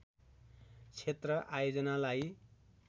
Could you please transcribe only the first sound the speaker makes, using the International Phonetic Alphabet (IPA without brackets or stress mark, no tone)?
t͡sʰ